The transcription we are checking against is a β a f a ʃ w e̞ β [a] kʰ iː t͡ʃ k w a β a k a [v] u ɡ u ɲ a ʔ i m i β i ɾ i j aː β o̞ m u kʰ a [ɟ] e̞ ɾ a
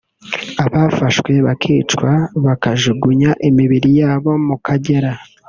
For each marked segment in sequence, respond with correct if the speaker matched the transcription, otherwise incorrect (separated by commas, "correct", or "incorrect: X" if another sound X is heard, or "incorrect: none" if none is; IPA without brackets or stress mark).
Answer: correct, incorrect: ʒ, correct